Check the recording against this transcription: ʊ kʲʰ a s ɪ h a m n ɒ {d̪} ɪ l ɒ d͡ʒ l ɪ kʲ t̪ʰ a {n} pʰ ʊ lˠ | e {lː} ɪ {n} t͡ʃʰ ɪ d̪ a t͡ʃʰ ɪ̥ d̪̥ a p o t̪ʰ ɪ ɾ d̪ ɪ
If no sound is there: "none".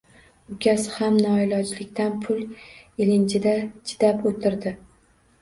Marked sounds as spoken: none, n, l, n

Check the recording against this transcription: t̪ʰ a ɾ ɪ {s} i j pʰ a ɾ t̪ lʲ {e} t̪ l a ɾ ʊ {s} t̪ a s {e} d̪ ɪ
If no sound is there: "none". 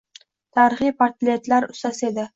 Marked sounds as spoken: χ, e, s, e

